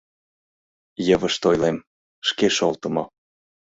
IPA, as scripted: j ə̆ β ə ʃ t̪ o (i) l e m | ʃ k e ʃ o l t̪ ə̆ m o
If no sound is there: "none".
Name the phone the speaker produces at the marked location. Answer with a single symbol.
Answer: j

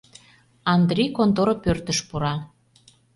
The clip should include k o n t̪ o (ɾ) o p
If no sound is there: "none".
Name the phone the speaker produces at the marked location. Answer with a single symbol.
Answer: ɾ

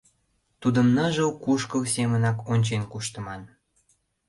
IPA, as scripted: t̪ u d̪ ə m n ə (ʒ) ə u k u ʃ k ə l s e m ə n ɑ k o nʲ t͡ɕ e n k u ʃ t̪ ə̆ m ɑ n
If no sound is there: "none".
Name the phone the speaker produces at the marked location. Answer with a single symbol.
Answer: ʒ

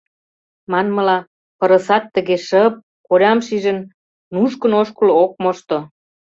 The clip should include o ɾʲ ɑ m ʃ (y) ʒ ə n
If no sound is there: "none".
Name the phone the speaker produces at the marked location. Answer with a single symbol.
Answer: i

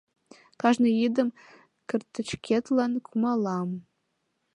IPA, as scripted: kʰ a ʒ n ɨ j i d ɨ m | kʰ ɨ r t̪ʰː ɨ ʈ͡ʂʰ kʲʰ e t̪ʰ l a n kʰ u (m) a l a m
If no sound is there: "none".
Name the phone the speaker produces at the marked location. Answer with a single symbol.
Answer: m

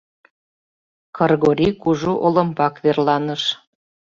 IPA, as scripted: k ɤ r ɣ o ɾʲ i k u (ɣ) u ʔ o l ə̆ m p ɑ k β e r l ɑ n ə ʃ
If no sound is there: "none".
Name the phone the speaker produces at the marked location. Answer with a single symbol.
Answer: ʒ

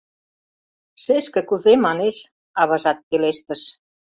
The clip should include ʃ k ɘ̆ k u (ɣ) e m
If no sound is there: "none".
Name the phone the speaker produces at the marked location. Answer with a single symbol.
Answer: z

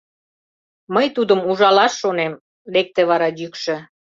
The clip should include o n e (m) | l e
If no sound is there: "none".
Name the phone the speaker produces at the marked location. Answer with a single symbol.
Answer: m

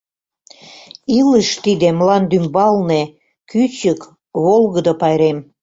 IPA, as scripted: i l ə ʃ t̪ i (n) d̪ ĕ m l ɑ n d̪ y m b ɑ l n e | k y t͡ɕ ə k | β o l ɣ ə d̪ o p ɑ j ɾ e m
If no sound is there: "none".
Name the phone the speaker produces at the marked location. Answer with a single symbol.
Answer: none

